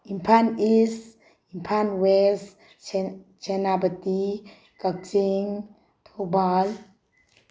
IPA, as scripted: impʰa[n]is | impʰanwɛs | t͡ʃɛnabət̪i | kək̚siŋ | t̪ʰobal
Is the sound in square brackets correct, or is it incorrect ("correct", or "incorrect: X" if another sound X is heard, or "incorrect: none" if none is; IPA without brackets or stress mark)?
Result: correct